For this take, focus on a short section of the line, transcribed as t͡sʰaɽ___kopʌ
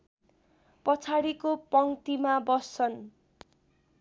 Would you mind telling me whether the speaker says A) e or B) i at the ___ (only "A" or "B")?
B